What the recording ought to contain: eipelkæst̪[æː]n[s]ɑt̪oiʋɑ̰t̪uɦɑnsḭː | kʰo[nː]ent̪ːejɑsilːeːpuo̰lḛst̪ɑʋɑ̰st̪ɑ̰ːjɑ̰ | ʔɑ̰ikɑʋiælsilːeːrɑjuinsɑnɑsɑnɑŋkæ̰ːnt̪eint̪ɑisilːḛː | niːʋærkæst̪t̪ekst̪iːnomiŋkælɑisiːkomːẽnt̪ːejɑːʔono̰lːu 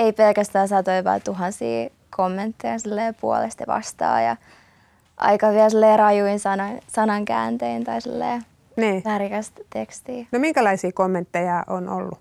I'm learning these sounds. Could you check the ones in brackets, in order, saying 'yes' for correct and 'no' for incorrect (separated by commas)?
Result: yes, yes, no